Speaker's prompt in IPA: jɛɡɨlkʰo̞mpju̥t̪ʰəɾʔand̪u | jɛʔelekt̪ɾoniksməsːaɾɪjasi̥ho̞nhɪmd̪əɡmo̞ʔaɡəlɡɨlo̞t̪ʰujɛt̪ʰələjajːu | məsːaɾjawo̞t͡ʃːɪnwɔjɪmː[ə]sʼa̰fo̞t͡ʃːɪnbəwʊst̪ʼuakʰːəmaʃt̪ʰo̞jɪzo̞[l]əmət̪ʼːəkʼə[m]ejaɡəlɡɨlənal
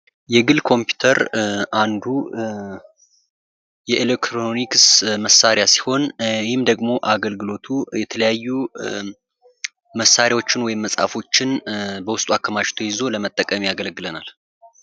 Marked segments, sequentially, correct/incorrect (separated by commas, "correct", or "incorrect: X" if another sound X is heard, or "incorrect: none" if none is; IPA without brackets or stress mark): correct, correct, correct